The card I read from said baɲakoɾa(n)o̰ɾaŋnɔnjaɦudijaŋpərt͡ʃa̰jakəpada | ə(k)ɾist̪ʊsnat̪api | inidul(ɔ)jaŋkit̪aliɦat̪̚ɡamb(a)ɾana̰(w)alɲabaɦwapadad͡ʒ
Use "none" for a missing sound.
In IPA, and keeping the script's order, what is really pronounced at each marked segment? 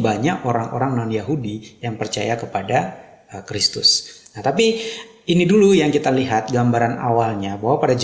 ŋ, k, u, a, w

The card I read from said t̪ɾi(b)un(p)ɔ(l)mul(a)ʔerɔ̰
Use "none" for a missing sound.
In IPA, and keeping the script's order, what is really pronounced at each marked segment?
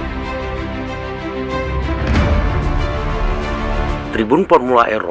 b, p, r, a

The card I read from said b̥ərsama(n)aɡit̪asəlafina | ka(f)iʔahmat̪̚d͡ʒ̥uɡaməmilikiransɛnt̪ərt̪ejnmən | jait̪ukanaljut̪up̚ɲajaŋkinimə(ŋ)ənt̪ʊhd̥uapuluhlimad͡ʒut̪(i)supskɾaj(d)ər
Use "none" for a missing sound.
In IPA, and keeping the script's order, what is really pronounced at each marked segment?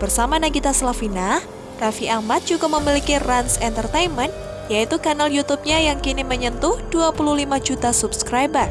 n, f, ɲ, a, b

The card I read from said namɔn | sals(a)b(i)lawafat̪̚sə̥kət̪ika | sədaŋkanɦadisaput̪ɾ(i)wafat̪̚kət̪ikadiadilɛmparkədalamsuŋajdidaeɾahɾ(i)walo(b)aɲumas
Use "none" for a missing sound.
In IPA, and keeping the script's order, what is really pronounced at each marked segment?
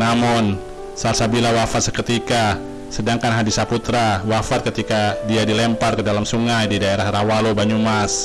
a, i, a, a, b

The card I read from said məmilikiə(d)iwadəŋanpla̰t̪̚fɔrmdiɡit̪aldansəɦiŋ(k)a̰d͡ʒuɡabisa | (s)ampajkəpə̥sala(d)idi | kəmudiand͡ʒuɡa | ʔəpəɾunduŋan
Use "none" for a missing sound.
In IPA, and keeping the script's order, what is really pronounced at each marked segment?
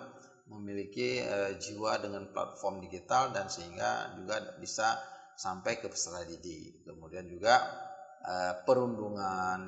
d͡ʒ, ɡ, s, d

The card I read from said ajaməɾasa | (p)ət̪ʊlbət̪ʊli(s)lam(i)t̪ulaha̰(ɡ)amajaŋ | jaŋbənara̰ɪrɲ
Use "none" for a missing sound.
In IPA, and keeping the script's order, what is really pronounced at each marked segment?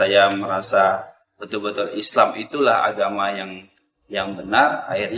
b, s, i, ɡ

